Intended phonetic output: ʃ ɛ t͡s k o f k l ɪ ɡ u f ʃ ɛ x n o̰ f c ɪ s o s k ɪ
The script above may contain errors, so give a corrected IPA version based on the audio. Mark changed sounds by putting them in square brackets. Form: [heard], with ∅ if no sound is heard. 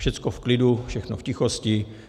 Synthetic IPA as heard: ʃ ɛ t͡s k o f k l ɪ [d] u f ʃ ɛ x n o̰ f c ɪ [x] o s [c] ɪ